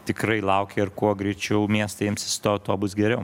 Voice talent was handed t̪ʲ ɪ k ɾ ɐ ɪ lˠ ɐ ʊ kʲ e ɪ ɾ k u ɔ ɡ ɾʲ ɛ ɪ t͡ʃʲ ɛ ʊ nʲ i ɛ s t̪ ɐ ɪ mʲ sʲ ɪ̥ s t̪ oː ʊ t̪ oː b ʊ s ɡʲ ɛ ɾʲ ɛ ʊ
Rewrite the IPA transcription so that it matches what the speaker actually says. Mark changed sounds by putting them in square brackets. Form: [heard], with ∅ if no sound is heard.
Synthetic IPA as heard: t̪ʲ ɪ k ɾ ɐ ɪ lˠ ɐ ʊ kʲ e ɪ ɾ k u ɔ ɡ ɾʲ ɛ ɪ t͡ʃʲ ɛ ʊ [mʲ] i ɛ s t̪ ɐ ɪ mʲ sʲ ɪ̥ s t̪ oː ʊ t̪ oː b ʊ s ɡʲ ɛ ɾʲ ɛ ʊ